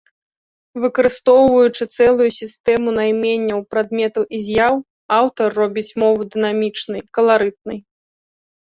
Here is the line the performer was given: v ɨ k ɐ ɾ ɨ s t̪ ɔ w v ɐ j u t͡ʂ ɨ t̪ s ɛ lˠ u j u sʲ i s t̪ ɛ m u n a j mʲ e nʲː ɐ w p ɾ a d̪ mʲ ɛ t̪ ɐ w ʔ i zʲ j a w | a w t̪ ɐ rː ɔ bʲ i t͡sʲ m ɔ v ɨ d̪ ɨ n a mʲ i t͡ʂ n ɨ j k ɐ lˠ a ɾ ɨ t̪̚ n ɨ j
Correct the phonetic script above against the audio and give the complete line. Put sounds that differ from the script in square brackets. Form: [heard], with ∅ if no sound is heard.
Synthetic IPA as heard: v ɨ k ɐ ɾ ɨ s t̪ ɔ w v ɐ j u t͡ʂ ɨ t̪ s ɛ lˠ u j u sʲ i s t̪ ɛ m u n a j mʲ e nʲː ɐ w p ɾ a d̪ mʲ ɛ t̪ ɐ w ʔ i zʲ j a w | a w t̪ ɐ rː ɔ bʲ i t͡sʲ m ɔ v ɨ d̪ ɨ n a mʲ i t͡ʂ n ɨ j k ɐ lˠ a ɾ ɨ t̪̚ n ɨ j